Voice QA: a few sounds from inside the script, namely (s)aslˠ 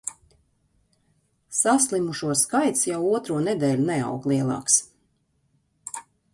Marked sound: correct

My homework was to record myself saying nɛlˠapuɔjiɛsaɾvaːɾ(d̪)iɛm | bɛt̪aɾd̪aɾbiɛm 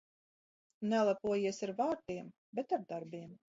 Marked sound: incorrect: t̪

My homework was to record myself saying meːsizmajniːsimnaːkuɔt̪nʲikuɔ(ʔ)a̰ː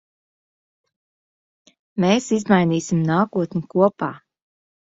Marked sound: incorrect: p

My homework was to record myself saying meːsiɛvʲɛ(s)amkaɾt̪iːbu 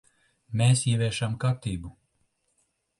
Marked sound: incorrect: ʃ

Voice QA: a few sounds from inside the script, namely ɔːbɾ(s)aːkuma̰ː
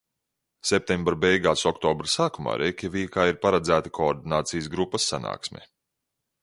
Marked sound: correct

